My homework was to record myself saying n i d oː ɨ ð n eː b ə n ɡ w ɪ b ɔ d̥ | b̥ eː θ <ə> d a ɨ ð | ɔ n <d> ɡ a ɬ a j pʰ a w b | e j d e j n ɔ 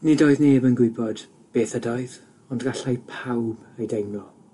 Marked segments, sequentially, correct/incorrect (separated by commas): correct, correct